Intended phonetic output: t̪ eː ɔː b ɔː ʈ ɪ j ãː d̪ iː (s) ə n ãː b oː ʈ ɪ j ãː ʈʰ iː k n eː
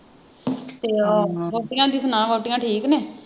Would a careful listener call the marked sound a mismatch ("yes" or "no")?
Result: no